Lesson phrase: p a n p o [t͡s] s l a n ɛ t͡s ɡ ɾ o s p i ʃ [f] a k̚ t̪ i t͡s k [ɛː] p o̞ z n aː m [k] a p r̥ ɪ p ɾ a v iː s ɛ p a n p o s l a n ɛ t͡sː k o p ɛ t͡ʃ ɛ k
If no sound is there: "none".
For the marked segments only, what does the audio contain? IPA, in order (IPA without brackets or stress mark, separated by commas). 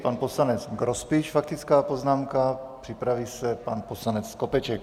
none, f, aː, k